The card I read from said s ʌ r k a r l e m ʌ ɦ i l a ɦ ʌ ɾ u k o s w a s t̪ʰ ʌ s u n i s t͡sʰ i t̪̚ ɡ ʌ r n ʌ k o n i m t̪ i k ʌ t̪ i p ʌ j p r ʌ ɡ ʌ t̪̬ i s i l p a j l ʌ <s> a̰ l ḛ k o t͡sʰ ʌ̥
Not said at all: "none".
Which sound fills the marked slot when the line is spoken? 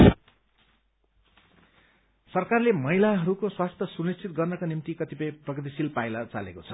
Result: t͡s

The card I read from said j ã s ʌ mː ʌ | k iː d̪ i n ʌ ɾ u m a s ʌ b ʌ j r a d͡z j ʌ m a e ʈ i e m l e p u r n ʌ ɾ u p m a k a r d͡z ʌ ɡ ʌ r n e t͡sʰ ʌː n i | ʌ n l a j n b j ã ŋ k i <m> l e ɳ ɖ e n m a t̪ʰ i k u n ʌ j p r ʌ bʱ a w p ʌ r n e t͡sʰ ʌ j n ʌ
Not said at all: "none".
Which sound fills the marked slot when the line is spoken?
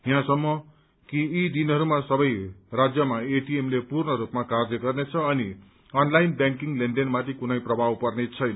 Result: ŋ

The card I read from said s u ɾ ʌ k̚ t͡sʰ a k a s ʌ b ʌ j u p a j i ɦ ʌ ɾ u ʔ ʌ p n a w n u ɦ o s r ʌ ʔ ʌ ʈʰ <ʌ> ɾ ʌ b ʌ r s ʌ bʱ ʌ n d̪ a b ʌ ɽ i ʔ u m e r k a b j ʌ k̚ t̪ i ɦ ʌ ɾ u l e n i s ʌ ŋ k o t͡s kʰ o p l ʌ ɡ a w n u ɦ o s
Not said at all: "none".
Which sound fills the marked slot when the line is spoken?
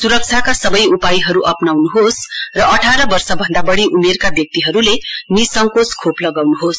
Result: a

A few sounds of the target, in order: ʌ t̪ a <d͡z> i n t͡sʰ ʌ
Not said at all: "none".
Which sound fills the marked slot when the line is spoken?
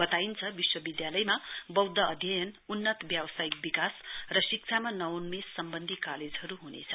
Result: none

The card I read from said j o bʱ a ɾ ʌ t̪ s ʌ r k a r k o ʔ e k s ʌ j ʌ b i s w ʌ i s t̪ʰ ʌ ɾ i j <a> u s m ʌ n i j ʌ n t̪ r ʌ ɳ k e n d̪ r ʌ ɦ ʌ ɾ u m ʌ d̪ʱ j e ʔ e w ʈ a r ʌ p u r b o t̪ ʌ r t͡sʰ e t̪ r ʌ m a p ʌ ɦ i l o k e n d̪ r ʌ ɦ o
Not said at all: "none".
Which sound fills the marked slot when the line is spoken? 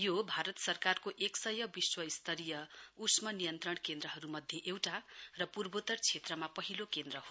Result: ʌ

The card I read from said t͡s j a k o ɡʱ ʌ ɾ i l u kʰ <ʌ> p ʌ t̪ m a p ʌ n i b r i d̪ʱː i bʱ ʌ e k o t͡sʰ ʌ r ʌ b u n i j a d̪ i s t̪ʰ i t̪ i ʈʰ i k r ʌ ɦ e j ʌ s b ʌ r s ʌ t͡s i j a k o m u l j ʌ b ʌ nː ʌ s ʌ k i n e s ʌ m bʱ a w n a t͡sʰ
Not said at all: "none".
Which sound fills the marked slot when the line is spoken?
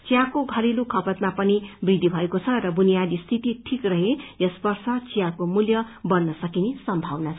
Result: ʌ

